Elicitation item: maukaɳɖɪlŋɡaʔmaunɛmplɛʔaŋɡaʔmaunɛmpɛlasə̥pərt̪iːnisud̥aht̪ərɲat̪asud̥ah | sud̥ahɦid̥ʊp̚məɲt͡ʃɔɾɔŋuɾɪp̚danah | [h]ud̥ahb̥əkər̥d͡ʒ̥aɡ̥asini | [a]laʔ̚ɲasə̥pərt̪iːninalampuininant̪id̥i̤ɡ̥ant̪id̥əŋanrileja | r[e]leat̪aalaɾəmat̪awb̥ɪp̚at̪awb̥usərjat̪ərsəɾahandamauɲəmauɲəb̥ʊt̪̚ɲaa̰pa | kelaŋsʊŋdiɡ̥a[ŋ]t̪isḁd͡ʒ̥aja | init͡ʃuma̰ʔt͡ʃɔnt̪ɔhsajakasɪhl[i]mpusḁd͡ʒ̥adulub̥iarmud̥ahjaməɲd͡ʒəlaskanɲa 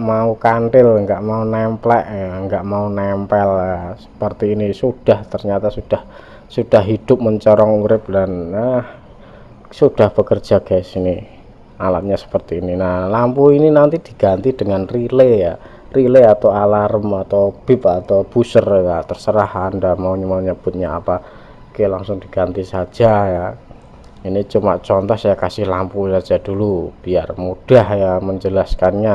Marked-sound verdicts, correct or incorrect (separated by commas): incorrect, correct, incorrect, incorrect, incorrect